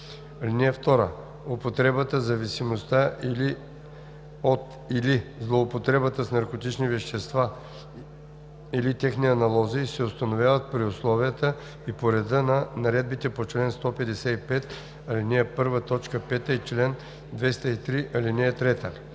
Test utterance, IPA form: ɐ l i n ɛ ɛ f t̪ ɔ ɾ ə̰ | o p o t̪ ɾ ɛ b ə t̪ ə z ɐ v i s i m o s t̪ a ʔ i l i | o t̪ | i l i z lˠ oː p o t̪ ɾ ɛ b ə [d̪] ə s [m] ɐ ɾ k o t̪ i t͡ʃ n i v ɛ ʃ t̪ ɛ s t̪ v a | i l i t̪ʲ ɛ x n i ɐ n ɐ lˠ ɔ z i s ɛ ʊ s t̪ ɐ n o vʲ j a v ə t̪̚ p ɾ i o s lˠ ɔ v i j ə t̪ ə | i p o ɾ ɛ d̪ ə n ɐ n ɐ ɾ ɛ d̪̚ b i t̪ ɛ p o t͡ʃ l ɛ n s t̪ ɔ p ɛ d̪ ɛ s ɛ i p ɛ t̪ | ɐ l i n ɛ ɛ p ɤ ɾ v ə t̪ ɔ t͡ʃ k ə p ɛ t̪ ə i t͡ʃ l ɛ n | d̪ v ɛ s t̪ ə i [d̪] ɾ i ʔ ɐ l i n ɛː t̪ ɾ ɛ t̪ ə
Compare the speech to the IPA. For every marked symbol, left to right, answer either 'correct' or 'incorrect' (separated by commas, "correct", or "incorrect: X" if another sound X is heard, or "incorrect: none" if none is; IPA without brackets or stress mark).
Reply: incorrect: t̪, incorrect: n, incorrect: t̪